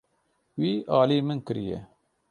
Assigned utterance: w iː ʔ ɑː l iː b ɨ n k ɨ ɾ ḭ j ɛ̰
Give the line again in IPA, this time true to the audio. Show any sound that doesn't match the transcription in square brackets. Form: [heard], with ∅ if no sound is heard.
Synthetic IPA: w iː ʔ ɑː l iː [m] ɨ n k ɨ ɾ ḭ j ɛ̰

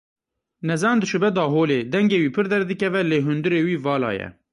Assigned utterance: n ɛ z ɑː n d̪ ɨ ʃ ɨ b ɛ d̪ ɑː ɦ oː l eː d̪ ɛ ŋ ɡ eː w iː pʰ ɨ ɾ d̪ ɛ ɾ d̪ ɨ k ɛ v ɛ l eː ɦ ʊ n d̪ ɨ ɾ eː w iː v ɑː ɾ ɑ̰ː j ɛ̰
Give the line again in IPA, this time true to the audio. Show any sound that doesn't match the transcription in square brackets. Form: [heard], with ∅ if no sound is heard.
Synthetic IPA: n ɛ z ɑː n d̪ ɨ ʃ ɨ b ɛ d̪ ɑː ɦ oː l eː d̪ ɛ ŋ ɡ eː w iː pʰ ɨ ɾ d̪ ɛ ɾ d̪ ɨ k ɛ v ɛ l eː ɦ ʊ n d̪ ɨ ɾ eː w iː v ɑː [l] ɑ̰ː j ɛ̰

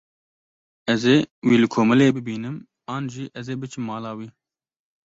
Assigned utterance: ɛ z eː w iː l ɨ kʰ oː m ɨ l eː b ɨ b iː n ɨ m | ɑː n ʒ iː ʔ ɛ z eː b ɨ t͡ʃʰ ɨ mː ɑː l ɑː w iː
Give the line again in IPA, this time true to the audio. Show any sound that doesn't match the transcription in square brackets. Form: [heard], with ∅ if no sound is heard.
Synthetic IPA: ɛ z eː w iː l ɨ kʰ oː m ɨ l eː b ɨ b iː n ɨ m | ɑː n ʒ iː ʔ ɛ z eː b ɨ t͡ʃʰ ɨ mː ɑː l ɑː w iː

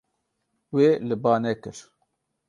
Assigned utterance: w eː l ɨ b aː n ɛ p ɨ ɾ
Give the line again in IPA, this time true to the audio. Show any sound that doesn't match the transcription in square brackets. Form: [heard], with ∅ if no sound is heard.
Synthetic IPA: w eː l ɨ b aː n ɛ [k] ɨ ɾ

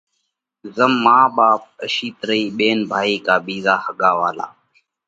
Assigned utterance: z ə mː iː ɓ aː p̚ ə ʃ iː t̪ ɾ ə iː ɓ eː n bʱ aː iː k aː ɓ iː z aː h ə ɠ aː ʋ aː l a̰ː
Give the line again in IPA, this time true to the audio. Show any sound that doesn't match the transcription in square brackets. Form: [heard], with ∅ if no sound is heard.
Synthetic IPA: z ə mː [aː] ɓ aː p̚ ə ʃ iː t̪ ɾ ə iː ɓ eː n bʱ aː iː k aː ɓ iː z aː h ə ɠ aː ʋ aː l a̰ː

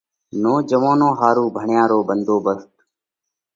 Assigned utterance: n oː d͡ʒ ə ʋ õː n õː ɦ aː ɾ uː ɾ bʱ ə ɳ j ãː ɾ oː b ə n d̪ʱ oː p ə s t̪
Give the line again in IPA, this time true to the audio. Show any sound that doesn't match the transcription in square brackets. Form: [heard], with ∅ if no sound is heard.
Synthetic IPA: n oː d͡ʒ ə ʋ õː n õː ɦ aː ɾ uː [∅] bʱ ə ɳ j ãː ɾ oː b ə n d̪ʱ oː [b] ə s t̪

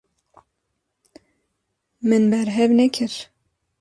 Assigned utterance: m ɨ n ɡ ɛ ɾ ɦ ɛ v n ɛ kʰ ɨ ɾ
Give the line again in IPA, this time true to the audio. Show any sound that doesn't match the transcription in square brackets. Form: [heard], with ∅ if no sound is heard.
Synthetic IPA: m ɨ n [b] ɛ ɾ ɦ ɛ v n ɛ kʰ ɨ ɾ

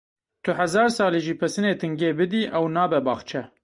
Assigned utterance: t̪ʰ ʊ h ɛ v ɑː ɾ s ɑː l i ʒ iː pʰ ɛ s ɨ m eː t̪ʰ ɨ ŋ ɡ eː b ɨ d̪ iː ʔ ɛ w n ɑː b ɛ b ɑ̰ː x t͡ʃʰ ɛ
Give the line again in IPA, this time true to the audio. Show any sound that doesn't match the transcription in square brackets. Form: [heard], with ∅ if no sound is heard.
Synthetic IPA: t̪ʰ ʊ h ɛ [z] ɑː ɾ s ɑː l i ʒ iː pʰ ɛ s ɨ [n] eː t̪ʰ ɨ ŋ ɡ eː b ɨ d̪ iː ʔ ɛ w n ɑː b ɛ b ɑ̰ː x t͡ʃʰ ɛ

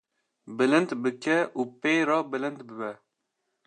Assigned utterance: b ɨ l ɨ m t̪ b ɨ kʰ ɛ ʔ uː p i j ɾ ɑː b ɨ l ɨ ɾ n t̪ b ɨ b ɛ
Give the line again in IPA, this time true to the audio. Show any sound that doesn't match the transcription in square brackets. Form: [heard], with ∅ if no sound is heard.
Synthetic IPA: b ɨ l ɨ [n] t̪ b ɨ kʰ ɛ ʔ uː p [e] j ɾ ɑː b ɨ l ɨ [∅] n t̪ b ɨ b ɛ

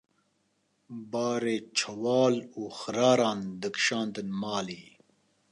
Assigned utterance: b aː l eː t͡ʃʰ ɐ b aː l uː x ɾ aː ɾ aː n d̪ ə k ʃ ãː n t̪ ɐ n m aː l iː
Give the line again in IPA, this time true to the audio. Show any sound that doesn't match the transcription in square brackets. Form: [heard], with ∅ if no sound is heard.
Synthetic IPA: b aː [ɾ] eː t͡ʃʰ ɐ [w] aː l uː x ɾ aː ɾ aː n d̪ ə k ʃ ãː n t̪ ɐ n m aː l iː

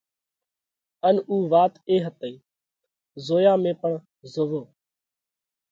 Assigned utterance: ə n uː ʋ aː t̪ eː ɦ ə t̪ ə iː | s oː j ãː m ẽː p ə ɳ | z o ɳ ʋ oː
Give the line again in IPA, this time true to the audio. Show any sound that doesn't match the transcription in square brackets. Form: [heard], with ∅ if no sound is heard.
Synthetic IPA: ə n uː ʋ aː t̪ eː ɦ ə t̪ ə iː | [z] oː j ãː m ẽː p ə ɳ | z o [∅] ʋ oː

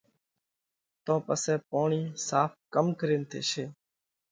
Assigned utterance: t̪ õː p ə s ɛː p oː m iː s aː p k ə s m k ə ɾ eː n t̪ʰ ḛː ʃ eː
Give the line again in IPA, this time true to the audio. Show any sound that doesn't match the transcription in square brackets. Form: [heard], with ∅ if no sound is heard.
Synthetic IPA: t̪ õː p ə s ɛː p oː [ɳ] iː s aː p k ə [∅] m k ə ɾ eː n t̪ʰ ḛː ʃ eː

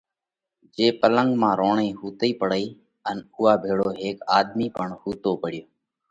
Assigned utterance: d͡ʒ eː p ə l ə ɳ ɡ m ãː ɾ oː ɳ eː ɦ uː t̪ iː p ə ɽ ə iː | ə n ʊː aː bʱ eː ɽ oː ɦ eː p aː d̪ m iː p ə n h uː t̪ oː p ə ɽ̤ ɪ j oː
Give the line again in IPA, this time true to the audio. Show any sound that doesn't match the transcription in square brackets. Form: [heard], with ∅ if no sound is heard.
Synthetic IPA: d͡ʒ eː p ə l ə [ŋ] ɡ m ãː ɾ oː ɳ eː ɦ uː t̪ iː p ə ɽ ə iː | ə n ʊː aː bʱ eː ɽ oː ɦ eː [k] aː d̪ m iː p ə [ɳ] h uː t̪ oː p ə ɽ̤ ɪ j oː

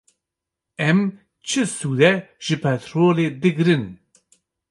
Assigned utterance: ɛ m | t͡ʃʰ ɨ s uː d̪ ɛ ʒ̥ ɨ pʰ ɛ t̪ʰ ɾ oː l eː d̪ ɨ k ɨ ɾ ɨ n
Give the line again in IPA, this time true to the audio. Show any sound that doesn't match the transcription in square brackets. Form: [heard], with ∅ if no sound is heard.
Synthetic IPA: ɛ m | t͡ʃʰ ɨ s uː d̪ ɛ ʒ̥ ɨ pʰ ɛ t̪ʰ ɾ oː l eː d̪ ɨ [ɡ] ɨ ɾ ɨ n

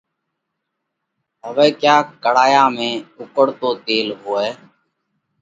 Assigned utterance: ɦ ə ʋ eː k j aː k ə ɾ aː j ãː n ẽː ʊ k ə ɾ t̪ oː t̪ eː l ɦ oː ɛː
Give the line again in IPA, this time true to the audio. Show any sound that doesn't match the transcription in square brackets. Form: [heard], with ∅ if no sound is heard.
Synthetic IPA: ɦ ə ʋ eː k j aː k ə [ɽ] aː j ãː [m] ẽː ʊ k ə [ɽ] t̪ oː t̪ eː l ɦ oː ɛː

